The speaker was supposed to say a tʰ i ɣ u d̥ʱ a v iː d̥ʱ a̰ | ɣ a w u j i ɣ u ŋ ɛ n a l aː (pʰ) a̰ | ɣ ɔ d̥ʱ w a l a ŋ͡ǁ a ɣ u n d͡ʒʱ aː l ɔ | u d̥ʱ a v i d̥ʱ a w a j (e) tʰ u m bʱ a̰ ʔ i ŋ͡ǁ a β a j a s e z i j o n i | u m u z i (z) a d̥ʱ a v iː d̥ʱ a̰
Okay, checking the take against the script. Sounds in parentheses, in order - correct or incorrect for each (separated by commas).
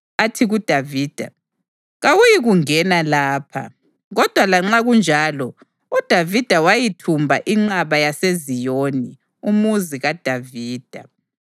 correct, incorrect, incorrect